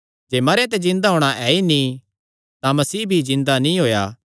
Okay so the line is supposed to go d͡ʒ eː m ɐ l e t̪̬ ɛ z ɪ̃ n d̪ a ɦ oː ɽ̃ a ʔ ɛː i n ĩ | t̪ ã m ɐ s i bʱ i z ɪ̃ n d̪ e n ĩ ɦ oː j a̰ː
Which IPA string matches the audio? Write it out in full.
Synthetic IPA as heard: d͡ʒ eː m ɐ ɾ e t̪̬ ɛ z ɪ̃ n d̪ a ɦ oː ɽ̃ a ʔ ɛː i n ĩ | t̪ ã m ɐ s iː bʱ i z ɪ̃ n d̪ a n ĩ ɦ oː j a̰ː

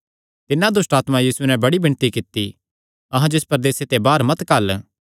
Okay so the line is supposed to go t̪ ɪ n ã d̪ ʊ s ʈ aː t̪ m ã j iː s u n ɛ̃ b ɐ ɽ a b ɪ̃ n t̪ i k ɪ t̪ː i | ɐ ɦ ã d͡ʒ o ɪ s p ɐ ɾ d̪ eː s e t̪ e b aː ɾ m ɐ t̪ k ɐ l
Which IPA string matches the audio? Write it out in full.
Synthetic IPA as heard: t̪ ɪ n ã d̪ ʊ s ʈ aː t̪ m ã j iː s u n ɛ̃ b ɐ ɽ i b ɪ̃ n t̪ i k ɪ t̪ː i | ɐ ɦ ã d͡ʒ o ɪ s p ɐ ɾ d̪ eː s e t̪ e b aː ɾ m ɐ t̪ k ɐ l

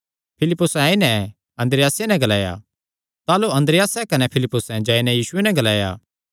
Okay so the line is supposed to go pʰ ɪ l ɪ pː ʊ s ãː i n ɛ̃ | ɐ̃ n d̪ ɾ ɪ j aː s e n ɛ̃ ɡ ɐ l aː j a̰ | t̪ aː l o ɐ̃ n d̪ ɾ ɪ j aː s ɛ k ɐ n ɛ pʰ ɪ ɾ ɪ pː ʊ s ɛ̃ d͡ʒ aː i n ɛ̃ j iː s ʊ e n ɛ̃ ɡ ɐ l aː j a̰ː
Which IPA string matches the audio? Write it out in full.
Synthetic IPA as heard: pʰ ɪ l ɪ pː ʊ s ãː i n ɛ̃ | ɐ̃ n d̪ ɾ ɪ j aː s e n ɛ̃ ɡ ɐ l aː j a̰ | t̪ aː l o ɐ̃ n d̪ ɾ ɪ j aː s ɛ k ɐ n ɛ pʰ ɪ l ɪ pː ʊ s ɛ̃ d͡ʒ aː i n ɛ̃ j iː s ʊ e n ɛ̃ ɡ ɐ l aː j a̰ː

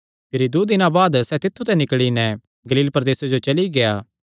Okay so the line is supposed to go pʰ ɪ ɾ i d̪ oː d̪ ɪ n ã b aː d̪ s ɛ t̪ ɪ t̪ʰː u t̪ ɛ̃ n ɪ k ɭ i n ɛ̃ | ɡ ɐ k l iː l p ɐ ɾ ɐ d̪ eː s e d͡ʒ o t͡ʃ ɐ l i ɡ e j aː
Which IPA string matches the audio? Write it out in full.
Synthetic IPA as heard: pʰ ɪ ɾ i d̪ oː d̪ ɪ n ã b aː d̪ s ɛ t̪ ɪ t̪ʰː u t̪ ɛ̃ n ɪ k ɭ i n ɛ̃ | ɡ ɐ l iː l p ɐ ɾ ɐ d̪ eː s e d͡ʒ o t͡ʃ ɐ l i ɡ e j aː

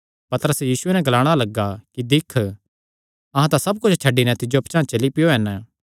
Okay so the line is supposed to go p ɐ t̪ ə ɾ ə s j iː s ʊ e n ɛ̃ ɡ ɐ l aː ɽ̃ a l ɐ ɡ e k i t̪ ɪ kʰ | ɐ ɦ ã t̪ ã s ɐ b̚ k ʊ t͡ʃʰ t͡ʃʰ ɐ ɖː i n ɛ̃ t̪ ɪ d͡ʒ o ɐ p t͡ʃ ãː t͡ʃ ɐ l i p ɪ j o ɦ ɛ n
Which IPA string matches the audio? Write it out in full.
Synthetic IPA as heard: p ɐ t̪ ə ɾ ə s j iː s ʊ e n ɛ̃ ɡ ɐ l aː ɽ̃ a l ɐ ɡ a k i d̪ ɪ kʰ | ɐ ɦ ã t̪ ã s ɐ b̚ k ʊ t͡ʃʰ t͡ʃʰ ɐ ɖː i n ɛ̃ t̪ ɪ d͡ʒ o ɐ p t͡ʃ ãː t͡ʃ ɐ l i p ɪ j o ɦ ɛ n

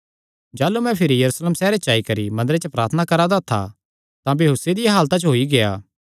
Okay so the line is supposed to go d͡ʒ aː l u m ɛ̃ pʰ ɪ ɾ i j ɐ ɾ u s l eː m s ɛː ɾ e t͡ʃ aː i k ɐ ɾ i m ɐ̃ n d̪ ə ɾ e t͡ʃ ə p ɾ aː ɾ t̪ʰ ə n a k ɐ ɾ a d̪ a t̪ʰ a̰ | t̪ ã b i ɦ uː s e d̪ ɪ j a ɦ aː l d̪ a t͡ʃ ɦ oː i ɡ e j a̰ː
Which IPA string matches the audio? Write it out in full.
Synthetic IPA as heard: d͡ʒ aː l u m ɛ̃ pʰ ɪ ɾ i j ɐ ɾ u s l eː m s ɛː ɾ e t͡ʃ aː i k ɐ ɾ i m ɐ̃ n d̪ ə ɾ e t͡ʃ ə p ɾ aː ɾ t̪ʰ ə n a k ɐ ɾ a d̪ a t̪ʰ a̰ | t̪ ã b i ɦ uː s e d̪ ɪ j a ɦ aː l t̪ a t͡ʃ ɦ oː i ɡ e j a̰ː

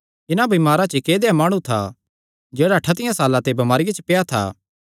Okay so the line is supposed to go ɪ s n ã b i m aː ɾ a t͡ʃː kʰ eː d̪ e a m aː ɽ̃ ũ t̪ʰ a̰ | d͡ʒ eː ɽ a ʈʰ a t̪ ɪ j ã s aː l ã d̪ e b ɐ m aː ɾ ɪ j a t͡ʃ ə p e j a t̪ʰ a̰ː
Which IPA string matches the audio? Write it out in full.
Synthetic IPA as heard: ɪ n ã b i m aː ɾ a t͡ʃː k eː d̪ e a m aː ɽ̃ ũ t̪ʰ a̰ | d͡ʒ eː ɽ a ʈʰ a t̪ ɪ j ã s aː l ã t̪ e b ɐ m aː ɾ ɪ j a t͡ʃ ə p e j a t̪ʰ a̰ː

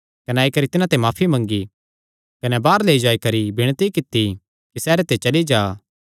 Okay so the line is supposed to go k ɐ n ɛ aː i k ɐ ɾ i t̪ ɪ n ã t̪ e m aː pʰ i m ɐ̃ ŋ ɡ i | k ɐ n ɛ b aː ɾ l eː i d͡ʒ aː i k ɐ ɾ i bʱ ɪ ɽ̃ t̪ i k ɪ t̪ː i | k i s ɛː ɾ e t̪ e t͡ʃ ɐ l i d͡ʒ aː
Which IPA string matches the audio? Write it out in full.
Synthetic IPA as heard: k ɐ n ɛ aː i k ɐ ɾ i t̪ ɪ n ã t̪ e m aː pʰ i m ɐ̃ ŋ ɡ i | k ɐ n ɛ b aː ɾ l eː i d͡ʒ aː i k ɐ ɾ i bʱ ɪ ɽ̃ t̪ i k ɪ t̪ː i | k i s ɛː ɾ e t̪ e t͡ʃ ɐ l i d͡ʒ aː

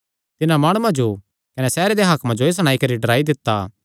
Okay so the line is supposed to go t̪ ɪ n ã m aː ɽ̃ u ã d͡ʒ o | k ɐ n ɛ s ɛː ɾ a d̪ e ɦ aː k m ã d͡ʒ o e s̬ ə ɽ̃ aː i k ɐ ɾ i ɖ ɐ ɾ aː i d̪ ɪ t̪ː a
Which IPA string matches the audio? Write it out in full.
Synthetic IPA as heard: t̪ ɪ n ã m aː ɽ̃ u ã d͡ʒ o | k ɐ n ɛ s ɛː ɾ e d̪ e ɦ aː k m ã d͡ʒ o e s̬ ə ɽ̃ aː i k ɐ ɾ i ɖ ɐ ɾ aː i d̪ ɪ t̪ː a

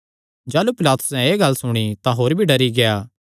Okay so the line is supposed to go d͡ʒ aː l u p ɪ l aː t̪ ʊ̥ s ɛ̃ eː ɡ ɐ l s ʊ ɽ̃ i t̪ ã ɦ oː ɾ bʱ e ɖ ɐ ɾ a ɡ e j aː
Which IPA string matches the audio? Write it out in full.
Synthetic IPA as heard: d͡ʒ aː l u p ɪ l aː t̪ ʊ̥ s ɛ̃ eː ɡ ɐ l s ʊ ɽ̃ i t̪ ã ɦ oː ɾ bʱ i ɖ ɐ ɾ i ɡ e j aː

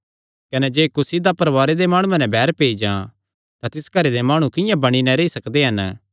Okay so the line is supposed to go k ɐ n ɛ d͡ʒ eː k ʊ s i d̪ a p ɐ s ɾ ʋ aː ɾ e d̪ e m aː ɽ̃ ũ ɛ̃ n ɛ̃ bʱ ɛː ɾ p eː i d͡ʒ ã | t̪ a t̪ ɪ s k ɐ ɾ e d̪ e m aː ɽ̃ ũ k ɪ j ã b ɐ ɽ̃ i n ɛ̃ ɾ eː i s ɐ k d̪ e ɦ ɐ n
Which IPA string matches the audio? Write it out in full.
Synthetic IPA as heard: k ɐ n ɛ d͡ʒ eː k ʊ s i d̪ a p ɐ ɾ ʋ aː ɾ e d̪ e m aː ɽ̃ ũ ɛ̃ n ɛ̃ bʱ ɛː ɾ p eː i d͡ʒ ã | t̪ a t̪ ɪ s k ɐ ɾ e d̪ e m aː ɽ̃ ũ k ɪ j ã b ɐ ɽ̃ i n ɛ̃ ɾ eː i s ɐ k d̪ e ɦ ɐ n

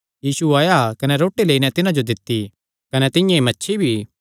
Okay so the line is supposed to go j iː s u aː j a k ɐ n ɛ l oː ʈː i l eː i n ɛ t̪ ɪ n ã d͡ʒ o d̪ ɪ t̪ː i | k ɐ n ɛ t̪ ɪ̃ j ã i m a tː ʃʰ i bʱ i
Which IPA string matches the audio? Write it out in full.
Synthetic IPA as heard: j iː s u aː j a k ɐ n ɛ ɾ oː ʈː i l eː i n ɛ t̪ ɪ n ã d͡ʒ o d̪ ɪ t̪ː i | k ɐ n ɛ t̪ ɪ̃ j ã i m ɐ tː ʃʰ i bʱ i

